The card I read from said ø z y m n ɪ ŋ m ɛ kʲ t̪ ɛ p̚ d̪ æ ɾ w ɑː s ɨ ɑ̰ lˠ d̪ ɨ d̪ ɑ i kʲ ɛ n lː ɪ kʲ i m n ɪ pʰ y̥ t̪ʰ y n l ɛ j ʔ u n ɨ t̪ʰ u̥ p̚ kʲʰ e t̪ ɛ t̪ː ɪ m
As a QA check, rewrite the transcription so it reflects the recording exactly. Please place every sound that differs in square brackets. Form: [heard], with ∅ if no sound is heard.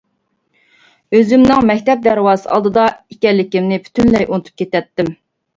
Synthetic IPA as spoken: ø z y m n ɪ ŋ m ɛ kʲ t̪ ɛ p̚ d̪ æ ɾ w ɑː s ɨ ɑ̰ lˠ d̪ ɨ d̪ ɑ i kʲ ɛ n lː ɪ kʲ i m n ɪ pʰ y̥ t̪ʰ y n l ɛ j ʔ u n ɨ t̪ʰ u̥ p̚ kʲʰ e t̪ ɛ t̪ː ɪ m